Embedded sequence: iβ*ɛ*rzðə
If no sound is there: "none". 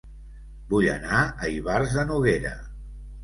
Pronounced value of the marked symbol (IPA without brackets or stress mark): a